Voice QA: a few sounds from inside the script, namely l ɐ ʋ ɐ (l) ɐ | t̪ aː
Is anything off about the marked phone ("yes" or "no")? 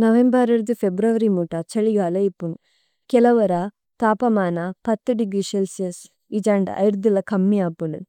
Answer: yes